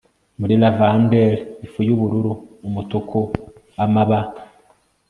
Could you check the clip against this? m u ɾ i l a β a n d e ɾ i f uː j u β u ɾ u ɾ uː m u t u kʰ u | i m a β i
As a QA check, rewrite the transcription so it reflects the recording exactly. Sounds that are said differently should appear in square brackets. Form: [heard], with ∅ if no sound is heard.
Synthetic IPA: m u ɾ i l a [v] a n d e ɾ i f [u] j u β u ɾ u ɾ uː m u t u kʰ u | [a] m a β [a]